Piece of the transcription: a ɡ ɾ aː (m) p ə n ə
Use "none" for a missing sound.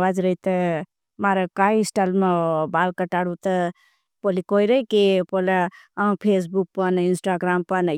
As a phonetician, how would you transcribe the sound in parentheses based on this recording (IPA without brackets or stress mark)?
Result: m